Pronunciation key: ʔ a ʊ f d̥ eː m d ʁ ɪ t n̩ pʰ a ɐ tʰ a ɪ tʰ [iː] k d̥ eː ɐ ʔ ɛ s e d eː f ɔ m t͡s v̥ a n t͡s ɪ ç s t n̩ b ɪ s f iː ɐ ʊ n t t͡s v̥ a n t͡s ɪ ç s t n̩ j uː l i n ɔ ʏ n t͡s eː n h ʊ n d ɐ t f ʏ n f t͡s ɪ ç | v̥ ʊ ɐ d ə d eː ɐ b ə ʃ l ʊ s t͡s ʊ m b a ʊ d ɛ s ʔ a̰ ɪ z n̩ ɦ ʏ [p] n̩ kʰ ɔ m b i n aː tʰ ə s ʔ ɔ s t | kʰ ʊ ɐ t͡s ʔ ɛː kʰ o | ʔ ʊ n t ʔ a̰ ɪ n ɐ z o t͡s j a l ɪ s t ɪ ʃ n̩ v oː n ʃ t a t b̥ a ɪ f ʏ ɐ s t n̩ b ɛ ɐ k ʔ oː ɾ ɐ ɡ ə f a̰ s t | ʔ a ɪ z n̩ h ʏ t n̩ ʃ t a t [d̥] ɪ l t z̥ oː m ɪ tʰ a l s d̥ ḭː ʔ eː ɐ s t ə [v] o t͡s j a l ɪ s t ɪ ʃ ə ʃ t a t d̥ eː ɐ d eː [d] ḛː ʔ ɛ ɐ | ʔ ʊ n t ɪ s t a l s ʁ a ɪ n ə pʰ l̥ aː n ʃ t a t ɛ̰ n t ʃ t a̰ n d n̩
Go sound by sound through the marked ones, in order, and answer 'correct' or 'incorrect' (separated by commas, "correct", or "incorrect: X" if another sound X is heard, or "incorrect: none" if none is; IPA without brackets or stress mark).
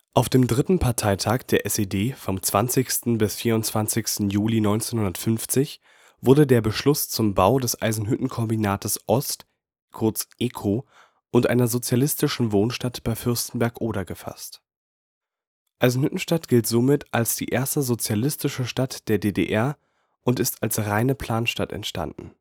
incorrect: aː, incorrect: t, incorrect: ɡ̥, incorrect: z, correct